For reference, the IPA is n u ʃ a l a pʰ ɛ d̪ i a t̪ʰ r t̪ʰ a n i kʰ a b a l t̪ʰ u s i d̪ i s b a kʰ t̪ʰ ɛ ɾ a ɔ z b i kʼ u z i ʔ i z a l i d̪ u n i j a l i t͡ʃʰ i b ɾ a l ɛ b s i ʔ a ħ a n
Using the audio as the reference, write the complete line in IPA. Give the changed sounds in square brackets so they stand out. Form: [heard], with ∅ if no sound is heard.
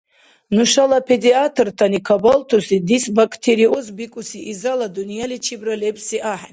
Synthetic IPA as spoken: n u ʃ a l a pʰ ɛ d̪ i a t̪ʰ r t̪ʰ a n i kʰ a b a l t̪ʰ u s i d̪ i s b a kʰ t̪ʰ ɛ ɾ [i] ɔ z b i kʼ u [s] i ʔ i z a l [a] d̪ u n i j a l i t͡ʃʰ i b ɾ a l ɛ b s i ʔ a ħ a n